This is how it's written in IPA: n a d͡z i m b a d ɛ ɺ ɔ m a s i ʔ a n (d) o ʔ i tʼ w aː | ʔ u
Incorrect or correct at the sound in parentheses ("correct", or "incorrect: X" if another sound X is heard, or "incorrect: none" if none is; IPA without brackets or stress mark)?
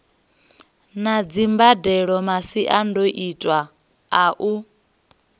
correct